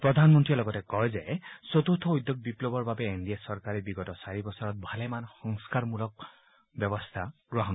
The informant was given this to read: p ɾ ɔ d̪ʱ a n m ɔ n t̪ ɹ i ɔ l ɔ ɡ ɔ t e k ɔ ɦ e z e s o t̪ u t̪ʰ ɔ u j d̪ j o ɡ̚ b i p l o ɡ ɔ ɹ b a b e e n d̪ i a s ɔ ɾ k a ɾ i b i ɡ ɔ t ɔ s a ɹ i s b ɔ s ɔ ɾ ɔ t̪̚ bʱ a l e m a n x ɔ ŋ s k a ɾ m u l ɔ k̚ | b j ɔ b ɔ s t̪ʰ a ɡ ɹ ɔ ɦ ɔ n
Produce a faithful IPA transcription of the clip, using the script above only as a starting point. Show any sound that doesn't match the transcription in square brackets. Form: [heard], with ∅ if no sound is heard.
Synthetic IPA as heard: p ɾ ɔ d̪ʱ a n m ɔ n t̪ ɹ i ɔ l ɔ ɡ ɔ t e k ɔ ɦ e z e s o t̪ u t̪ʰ ɔ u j d̪ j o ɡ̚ b i p l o [b] ɔ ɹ b a b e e n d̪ i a s ɔ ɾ k a ɾ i b i ɡ ɔ t ɔ s a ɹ i [∅] b ɔ s ɔ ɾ ɔ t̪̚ bʱ a l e m a n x ɔ ŋ s k a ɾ m u l ɔ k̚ | b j ɔ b ɔ s t̪ʰ a ɡ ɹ ɔ ɦ ɔ n